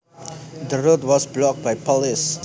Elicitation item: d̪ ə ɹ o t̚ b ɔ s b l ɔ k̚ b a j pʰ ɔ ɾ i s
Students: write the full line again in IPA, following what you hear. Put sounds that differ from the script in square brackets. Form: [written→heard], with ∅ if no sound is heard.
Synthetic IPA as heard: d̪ ə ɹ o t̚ [b→w] ɔ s b l ɔ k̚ b a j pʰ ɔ [ɾ→l] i s